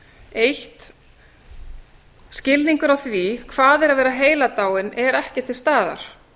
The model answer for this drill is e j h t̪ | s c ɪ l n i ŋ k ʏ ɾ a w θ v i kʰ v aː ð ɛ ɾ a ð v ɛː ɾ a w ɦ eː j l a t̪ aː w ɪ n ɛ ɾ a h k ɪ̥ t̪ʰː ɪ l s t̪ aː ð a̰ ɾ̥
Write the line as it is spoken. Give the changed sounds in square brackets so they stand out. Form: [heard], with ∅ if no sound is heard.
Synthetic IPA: e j h t̪ | s c ɪ l n i ŋ k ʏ ɾ a w θ v i kʰ v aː ð ɛ ɾ a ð v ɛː ɾ a [∅] ɦ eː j l a t̪ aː w ɪ n ɛ ɾ [ɛ] h [c] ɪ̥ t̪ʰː ɪ l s t̪ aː ð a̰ ɾ̥

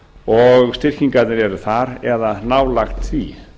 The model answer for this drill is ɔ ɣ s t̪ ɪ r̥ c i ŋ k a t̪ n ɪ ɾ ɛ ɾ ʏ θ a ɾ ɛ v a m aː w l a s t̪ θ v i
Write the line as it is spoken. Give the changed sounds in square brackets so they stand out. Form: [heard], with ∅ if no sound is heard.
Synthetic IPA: ɔ ɣ s t̪ ɪ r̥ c i ŋ k a t̪ n ɪ ɾ ɛ ɾ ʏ θ a ɾ ɛ [ð] a [n] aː w l a [x] t̪ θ v i

